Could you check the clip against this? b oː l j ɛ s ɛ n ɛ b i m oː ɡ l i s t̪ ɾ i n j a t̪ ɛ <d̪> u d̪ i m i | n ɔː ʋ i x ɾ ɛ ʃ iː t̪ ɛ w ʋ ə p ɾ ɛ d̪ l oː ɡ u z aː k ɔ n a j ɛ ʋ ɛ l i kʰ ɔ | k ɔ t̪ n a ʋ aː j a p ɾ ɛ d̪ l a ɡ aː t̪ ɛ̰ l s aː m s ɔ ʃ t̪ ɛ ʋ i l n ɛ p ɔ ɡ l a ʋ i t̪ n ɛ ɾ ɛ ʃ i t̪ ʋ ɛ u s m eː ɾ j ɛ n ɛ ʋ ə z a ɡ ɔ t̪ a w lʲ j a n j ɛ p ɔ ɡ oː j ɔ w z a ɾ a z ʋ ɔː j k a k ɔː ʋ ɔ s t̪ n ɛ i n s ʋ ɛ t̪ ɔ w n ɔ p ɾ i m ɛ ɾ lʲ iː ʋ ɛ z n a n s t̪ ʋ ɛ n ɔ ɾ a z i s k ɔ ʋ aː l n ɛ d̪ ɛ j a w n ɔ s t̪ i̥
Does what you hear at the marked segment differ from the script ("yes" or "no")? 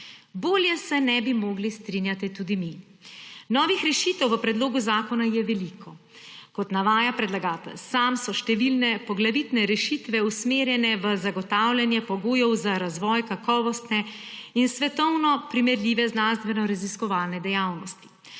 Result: yes